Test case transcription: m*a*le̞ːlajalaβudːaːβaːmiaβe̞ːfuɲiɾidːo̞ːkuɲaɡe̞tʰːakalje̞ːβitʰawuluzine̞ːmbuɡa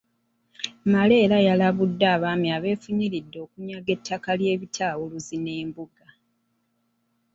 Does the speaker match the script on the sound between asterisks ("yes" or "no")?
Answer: yes